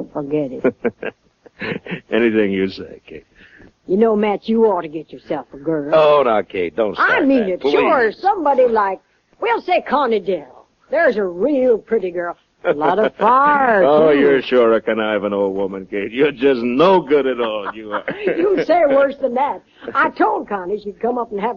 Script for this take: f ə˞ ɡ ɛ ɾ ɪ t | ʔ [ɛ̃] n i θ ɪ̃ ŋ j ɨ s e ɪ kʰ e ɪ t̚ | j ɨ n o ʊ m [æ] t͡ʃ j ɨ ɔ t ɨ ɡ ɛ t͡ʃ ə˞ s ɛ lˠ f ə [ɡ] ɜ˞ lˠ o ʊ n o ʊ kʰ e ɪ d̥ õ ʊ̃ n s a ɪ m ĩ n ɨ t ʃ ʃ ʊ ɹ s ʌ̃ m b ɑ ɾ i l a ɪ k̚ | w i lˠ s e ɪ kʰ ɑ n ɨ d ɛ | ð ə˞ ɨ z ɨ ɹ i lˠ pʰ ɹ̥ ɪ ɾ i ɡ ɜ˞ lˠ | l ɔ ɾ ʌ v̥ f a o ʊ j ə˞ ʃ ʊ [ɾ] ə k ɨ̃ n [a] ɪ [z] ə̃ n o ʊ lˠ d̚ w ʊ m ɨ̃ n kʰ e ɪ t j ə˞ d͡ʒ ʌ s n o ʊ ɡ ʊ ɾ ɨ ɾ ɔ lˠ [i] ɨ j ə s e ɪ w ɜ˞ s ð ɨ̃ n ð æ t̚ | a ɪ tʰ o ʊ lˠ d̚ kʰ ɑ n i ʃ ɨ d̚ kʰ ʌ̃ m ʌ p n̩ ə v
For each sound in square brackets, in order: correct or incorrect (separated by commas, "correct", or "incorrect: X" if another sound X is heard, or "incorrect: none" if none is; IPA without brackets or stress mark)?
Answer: incorrect: ɛ, correct, correct, incorrect: ɹ, correct, incorrect: v, incorrect: j